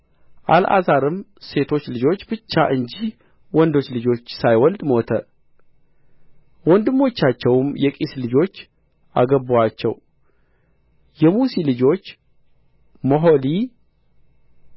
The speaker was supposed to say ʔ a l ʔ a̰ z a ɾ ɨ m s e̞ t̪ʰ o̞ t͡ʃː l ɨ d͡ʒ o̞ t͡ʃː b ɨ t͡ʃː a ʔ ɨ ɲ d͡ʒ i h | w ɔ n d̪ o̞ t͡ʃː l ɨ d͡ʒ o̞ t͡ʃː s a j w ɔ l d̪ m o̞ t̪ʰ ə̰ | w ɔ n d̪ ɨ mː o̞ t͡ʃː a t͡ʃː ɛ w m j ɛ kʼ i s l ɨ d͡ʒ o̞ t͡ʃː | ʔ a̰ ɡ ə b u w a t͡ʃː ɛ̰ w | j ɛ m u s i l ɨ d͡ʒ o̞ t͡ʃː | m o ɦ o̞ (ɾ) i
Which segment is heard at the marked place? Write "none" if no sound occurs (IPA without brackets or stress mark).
l